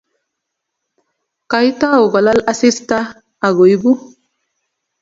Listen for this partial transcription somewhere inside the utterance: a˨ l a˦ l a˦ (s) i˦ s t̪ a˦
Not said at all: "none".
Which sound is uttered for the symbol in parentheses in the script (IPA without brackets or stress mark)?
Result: s